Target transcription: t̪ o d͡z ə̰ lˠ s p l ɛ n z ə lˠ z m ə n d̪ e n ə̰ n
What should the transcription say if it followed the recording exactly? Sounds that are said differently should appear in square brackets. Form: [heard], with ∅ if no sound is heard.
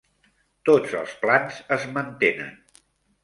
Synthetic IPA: t̪ o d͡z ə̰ lˠ s p l [a] n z ə [∅] z m ə n [t̪] e n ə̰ n